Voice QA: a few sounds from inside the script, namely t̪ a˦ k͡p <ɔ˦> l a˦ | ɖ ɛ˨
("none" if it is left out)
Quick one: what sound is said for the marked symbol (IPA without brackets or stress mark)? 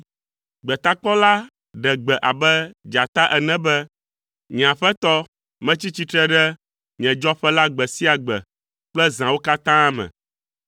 ɔ˦